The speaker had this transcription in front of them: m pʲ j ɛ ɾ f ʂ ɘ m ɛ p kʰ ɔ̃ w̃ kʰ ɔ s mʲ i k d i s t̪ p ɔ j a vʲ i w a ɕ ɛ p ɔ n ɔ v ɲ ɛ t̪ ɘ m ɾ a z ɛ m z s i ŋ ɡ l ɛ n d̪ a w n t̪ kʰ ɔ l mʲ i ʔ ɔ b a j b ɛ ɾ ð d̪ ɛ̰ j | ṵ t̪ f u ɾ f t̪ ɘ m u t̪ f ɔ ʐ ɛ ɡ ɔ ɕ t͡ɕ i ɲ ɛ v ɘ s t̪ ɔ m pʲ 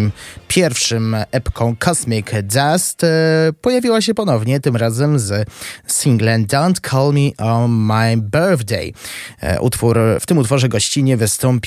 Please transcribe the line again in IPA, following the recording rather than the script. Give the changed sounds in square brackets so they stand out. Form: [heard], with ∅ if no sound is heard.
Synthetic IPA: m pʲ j ɛ ɾ f ʂ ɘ m ɛ p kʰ ɔ̃ w̃ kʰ ɔ s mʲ i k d [a] s t̪ p ɔ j a vʲ i w a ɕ ɛ p ɔ n ɔ v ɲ ɛ t̪ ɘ m ɾ a z ɛ m z s i ŋ ɡ l ɛ n d̪ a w n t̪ kʰ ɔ l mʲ i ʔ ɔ [m] a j b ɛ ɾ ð d̪ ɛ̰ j | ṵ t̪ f u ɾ f t̪ ɘ m u t̪ f ɔ ʐ ɛ ɡ ɔ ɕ t͡ɕ i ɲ ɛ v ɘ s t̪ ɔ m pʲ